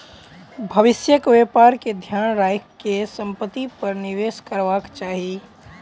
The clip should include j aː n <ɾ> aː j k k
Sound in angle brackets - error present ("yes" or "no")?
no